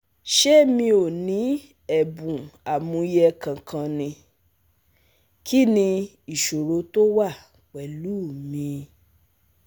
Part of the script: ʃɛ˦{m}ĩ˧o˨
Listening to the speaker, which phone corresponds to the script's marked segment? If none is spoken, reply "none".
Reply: m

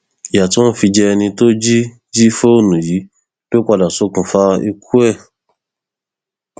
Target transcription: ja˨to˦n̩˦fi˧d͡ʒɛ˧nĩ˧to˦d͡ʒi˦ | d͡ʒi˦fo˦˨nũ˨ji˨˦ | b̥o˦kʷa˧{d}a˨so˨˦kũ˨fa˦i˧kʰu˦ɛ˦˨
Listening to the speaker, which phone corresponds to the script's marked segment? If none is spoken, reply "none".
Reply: d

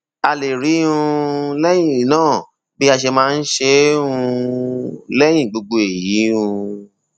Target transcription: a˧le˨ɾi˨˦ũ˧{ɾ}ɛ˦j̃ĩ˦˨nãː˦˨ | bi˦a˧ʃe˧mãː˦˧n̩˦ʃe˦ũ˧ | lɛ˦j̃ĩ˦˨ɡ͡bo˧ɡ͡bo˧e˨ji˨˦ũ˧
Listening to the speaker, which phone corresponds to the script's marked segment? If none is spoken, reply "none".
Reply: l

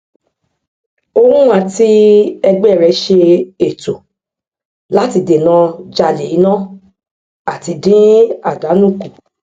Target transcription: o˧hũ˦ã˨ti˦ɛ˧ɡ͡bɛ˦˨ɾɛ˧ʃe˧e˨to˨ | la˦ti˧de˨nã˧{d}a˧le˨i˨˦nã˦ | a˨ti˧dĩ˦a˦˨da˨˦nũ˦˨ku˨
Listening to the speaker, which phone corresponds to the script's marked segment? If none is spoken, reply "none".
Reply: d͡ʒ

